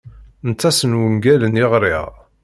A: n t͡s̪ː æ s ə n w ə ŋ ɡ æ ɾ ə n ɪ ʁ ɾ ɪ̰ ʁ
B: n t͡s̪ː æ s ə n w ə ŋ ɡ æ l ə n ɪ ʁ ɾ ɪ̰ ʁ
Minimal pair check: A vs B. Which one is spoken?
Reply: B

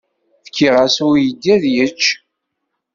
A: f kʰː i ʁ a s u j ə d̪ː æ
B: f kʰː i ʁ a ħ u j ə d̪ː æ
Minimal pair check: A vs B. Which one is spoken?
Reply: A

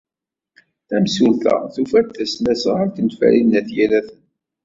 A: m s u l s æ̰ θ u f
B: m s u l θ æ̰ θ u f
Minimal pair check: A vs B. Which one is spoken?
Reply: B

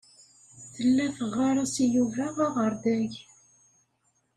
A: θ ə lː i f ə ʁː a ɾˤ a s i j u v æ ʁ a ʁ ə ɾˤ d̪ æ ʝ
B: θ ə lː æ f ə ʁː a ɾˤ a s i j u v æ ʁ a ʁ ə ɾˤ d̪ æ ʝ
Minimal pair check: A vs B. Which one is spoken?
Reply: B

